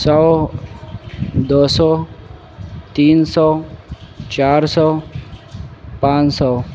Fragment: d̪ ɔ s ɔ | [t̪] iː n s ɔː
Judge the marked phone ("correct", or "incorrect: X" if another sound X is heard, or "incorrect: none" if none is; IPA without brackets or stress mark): correct